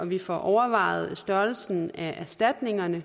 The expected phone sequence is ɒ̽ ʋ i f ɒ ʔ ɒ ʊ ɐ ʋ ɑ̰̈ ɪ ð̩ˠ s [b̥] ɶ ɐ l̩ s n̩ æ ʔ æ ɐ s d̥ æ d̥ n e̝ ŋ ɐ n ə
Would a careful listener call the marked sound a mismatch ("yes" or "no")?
yes